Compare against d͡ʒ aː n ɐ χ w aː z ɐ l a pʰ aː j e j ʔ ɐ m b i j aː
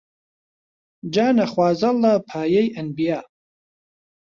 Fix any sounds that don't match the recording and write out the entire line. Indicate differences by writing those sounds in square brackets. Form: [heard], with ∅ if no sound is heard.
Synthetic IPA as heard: d͡ʒ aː n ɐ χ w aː z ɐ l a pʰ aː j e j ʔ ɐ [n] b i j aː